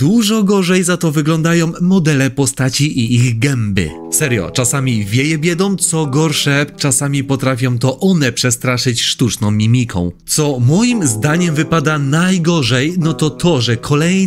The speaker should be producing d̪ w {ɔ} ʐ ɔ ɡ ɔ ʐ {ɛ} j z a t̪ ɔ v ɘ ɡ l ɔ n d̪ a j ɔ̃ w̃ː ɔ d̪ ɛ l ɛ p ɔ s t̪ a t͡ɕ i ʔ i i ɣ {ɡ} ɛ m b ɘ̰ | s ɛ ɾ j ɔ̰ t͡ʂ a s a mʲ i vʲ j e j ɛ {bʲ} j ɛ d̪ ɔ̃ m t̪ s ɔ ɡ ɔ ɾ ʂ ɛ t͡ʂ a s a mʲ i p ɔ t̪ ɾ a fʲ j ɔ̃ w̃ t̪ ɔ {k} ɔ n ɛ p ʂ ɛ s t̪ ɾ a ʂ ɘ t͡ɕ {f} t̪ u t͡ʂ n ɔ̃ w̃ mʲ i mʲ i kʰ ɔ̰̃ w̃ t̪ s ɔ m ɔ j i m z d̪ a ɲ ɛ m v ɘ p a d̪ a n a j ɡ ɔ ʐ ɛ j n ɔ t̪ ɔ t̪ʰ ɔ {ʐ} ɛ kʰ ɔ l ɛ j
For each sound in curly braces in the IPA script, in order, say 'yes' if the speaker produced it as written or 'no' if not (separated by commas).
no, yes, yes, yes, no, no, yes